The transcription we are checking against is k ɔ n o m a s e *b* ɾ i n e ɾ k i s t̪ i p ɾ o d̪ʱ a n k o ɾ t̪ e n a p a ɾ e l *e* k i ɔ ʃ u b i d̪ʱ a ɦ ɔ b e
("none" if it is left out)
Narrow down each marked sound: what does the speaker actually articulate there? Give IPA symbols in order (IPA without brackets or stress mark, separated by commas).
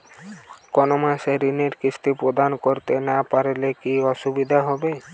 none, e